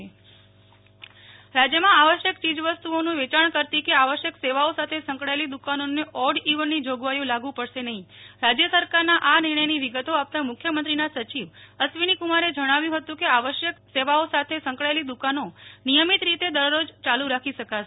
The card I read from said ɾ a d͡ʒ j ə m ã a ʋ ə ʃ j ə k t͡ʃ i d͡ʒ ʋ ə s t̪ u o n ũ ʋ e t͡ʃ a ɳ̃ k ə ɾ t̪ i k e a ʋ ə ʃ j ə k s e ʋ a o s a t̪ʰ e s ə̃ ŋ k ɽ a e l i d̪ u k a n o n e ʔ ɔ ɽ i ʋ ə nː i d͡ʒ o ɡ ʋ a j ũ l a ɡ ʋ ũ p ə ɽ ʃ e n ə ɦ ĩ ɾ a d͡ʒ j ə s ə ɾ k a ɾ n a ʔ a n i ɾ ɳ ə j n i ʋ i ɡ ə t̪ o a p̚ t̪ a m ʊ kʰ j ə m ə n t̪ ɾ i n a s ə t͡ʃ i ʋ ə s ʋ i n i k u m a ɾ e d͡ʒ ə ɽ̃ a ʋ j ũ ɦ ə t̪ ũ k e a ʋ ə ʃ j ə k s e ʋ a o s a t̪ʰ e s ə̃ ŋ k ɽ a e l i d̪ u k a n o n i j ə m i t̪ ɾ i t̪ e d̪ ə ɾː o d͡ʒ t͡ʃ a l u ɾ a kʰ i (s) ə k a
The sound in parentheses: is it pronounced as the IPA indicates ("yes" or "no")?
no